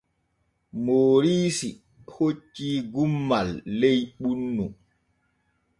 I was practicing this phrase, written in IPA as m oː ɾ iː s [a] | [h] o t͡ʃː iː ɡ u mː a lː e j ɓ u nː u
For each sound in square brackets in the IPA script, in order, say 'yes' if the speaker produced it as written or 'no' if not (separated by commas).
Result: no, yes